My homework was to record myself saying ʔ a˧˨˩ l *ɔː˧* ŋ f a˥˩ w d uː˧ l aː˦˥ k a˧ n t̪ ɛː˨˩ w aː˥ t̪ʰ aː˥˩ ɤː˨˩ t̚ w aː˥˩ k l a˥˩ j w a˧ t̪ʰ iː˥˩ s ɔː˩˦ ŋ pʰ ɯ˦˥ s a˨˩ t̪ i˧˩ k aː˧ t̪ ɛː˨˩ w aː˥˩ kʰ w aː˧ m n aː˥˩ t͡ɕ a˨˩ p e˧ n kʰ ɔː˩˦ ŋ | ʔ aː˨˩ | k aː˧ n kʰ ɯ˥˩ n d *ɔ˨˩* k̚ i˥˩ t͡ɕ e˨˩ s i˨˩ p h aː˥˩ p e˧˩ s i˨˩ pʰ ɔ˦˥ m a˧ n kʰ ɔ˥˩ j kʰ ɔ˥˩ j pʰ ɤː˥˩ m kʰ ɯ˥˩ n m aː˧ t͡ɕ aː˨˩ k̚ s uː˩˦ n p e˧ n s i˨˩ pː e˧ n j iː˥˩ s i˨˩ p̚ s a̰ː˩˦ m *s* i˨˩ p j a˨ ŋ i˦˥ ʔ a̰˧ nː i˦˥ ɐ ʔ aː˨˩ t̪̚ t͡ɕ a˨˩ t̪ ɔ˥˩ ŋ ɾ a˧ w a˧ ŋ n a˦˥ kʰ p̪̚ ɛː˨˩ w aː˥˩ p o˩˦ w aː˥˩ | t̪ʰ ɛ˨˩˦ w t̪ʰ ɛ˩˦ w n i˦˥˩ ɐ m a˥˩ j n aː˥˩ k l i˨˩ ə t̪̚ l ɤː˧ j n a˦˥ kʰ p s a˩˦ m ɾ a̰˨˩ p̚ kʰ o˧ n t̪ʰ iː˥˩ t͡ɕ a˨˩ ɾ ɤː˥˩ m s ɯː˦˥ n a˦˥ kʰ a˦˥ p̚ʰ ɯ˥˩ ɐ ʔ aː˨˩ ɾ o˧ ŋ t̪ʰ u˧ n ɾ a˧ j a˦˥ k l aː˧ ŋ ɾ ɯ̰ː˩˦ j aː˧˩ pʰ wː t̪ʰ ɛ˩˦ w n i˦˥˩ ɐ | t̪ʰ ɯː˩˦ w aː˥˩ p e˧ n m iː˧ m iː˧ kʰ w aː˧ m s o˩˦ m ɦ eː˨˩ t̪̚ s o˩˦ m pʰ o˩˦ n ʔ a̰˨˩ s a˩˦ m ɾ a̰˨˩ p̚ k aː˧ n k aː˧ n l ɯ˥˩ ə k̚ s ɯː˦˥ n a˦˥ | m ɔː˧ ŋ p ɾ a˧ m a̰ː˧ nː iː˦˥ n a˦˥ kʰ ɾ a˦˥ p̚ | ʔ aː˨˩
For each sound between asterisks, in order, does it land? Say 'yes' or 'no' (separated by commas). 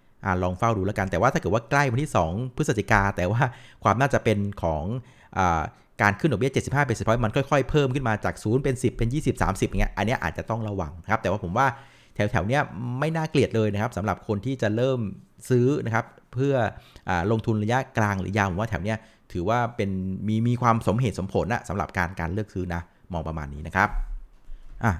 yes, yes, yes